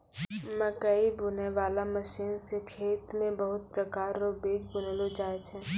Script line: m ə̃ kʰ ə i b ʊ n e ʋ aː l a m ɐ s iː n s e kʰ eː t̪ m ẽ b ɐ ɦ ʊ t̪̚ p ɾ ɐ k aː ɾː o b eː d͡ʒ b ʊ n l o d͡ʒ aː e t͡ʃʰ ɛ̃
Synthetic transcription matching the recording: m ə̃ k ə i b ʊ n e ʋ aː l a m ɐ ʃ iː n s e kʰ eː t̪ m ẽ b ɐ ɦ ʊ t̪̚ p ɾ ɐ k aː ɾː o b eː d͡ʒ b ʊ n l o d͡ʒ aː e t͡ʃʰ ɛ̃